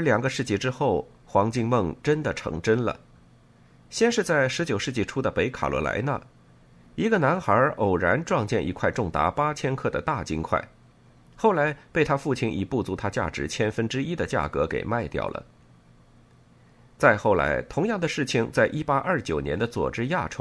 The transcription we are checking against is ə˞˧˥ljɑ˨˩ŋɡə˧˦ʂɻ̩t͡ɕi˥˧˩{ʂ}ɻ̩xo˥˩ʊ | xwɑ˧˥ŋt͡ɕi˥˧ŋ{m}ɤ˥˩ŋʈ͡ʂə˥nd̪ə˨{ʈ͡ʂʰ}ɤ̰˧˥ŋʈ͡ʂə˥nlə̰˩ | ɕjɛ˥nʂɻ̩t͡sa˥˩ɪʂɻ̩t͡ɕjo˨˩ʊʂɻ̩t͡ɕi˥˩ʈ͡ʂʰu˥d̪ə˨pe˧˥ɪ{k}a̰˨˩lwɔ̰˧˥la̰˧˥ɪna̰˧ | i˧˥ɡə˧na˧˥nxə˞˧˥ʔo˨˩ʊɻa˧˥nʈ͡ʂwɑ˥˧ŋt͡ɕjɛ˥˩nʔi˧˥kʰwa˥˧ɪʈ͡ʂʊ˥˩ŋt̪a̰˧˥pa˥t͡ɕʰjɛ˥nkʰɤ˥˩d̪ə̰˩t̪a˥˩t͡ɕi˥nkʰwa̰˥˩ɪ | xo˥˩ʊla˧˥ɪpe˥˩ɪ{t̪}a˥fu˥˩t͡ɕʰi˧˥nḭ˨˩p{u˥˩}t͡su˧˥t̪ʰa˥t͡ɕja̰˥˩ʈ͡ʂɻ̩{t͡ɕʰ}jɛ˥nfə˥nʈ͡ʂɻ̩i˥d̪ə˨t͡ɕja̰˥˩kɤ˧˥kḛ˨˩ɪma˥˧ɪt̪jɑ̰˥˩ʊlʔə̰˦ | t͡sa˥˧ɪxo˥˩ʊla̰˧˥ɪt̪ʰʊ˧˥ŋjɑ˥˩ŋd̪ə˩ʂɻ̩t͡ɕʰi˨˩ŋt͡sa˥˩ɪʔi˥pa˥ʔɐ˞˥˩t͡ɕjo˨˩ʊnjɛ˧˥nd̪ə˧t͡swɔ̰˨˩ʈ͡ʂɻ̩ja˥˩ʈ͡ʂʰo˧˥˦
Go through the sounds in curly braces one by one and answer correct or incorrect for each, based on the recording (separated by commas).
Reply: incorrect, correct, correct, incorrect, incorrect, correct, correct